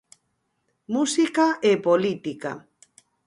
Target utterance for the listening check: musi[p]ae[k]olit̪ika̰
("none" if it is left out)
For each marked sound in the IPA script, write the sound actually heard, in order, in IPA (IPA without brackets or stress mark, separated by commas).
k, p